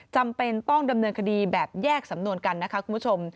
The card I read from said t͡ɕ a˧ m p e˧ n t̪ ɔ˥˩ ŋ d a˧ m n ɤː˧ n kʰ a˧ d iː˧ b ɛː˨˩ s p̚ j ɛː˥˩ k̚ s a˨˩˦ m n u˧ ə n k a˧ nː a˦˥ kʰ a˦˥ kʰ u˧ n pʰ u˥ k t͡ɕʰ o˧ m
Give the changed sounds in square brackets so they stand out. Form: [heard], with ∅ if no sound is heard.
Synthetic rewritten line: t͡ɕ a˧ m p e˧ n t̪ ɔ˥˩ ŋ d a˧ m n ɤː˧ n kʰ a˧ d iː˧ b ɛː˨˩ [∅] p̚ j ɛː˥˩ k̚ s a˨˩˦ m n u˧ ə n k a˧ nː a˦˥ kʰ a˦˥ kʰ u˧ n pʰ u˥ [∅] t͡ɕʰ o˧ m